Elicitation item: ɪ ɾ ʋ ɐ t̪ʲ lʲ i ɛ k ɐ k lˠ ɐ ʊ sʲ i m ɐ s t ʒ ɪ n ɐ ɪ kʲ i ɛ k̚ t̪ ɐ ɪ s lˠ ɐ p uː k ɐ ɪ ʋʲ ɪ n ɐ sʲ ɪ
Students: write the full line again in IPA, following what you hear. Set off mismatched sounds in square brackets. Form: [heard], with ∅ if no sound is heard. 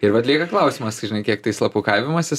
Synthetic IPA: ɪ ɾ ʋ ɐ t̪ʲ lʲ i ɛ k ɐ k lˠ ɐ ʊ sʲ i m ɐ s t ʒ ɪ n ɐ ɪ kʲ i ɛ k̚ t̪ ɐ ɪ s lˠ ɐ p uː k ɐ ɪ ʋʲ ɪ [m] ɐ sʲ ɪ